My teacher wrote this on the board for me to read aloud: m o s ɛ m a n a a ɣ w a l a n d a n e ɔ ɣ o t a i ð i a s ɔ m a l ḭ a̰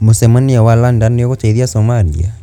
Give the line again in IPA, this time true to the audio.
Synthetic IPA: m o s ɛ m a n i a w a l a n d a n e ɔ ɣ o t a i ð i a s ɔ m a l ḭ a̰